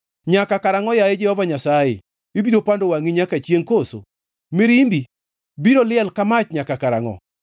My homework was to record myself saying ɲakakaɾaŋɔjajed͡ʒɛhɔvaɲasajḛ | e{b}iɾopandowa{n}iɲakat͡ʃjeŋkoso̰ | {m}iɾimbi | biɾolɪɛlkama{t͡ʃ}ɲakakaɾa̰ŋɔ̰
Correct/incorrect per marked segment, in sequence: correct, incorrect: ŋ, correct, correct

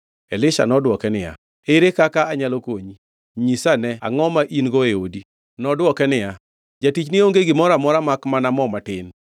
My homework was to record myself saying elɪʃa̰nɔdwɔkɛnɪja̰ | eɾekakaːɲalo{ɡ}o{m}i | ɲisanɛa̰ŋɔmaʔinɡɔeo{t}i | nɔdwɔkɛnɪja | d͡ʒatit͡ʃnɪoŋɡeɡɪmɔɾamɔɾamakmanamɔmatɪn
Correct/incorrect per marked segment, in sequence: incorrect: k, incorrect: ɲ, incorrect: d

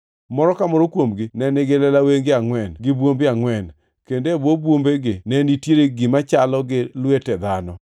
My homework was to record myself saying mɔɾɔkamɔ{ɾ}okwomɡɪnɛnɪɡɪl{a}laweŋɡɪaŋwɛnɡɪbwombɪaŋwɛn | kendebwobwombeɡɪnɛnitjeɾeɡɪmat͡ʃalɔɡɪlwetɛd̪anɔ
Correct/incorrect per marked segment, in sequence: correct, incorrect: ɛ

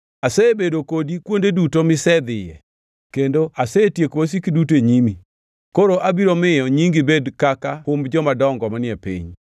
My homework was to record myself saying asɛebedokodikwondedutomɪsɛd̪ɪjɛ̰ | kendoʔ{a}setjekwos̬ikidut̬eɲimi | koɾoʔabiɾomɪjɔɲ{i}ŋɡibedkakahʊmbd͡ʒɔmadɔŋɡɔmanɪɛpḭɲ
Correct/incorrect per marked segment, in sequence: correct, correct

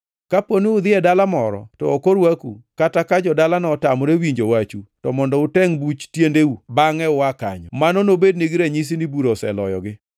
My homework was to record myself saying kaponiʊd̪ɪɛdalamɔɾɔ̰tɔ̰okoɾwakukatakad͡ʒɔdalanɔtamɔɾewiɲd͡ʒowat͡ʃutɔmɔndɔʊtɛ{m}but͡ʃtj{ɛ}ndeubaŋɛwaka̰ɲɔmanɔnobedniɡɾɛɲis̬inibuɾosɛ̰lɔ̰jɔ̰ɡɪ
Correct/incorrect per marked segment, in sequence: incorrect: ŋ, incorrect: e

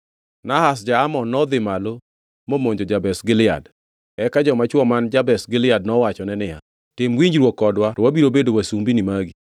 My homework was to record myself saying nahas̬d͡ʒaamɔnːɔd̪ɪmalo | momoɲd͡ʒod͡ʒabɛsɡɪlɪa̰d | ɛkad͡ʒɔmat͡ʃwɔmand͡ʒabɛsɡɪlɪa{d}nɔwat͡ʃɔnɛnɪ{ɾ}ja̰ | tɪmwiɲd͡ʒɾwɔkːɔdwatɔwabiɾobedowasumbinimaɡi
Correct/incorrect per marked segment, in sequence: correct, incorrect: none

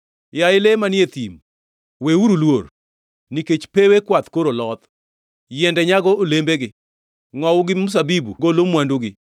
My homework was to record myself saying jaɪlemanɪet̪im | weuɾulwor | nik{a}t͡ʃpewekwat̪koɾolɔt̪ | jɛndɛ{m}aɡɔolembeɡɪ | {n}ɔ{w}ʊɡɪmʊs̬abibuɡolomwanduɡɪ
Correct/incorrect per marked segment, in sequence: incorrect: e, incorrect: ɲ, incorrect: ŋ, correct

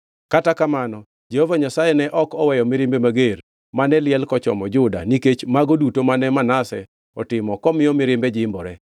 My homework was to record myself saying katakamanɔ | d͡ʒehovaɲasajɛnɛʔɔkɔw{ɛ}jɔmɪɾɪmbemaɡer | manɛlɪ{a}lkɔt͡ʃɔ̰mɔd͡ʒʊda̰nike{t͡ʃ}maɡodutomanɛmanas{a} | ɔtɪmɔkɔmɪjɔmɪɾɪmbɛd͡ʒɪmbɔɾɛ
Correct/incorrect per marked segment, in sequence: correct, incorrect: ɛ, correct, incorrect: ɛ

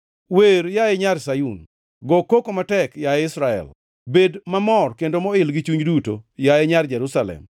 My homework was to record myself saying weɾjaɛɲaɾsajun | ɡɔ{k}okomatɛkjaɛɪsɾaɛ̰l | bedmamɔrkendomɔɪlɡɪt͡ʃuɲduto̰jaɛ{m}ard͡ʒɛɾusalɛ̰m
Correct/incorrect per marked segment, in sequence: correct, incorrect: ɲ

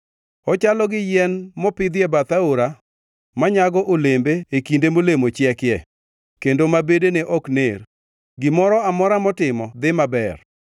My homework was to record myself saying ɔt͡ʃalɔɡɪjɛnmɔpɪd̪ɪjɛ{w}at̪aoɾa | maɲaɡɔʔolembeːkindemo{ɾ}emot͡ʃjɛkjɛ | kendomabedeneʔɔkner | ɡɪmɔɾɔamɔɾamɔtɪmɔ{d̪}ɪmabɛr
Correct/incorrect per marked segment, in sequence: incorrect: b, incorrect: l, correct

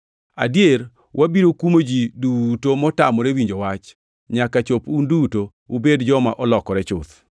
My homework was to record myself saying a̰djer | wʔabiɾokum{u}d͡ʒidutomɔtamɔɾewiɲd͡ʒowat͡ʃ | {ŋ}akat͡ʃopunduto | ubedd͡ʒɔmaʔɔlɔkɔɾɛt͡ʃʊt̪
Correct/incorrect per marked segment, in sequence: incorrect: o, incorrect: ɲ

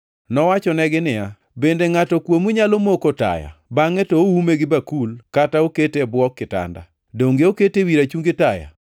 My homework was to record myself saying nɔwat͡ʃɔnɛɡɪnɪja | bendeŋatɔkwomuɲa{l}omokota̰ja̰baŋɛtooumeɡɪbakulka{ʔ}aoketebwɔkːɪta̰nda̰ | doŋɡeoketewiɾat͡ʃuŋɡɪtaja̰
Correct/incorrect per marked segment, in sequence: correct, incorrect: t

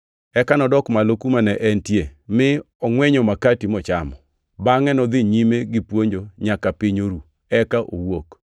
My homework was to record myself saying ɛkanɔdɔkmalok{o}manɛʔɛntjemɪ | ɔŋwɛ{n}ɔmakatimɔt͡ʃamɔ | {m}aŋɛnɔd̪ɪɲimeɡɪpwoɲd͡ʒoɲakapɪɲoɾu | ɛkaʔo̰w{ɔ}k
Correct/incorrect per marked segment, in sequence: incorrect: u, incorrect: ɲ, incorrect: b, incorrect: o

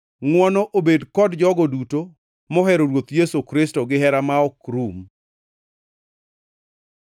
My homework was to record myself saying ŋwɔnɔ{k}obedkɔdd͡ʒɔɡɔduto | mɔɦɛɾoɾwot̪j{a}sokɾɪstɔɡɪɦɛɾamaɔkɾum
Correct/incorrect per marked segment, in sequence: incorrect: ʔ, incorrect: e

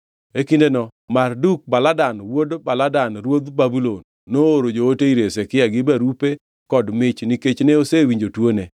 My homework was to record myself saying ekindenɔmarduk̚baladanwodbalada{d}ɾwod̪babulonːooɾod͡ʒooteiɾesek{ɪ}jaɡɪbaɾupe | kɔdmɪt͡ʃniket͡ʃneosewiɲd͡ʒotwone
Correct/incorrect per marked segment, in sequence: incorrect: n, correct

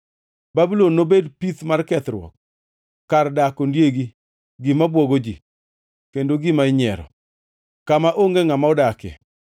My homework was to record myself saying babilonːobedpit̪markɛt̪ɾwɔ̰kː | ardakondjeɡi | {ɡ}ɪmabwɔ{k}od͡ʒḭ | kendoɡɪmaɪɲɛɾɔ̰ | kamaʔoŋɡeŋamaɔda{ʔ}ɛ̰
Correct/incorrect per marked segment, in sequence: correct, incorrect: ɡ, incorrect: k

